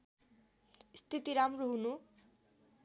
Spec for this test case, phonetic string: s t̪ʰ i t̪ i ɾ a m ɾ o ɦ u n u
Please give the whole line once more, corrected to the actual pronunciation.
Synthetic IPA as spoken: s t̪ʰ i t̪ i ɾ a m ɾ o ɦ u n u